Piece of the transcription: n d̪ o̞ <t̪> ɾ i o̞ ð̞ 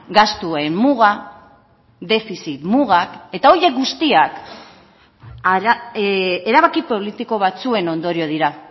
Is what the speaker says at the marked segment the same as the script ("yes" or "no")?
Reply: no